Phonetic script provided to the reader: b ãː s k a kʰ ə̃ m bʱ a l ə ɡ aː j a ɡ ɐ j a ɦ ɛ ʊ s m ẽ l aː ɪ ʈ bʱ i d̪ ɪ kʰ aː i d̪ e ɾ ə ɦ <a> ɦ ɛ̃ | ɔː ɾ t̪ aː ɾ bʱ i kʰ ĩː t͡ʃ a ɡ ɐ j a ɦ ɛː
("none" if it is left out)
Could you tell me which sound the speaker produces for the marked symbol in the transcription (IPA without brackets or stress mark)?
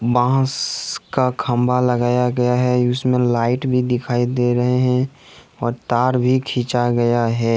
e